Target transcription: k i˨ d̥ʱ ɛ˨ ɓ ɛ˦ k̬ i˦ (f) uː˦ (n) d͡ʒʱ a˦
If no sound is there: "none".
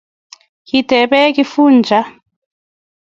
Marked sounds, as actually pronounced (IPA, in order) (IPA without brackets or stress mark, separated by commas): f, n